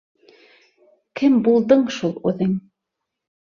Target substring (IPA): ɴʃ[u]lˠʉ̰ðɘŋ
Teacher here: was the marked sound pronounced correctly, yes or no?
yes